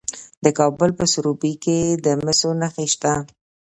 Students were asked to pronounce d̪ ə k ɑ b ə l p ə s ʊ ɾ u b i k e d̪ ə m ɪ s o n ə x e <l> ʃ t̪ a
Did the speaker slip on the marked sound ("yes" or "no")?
yes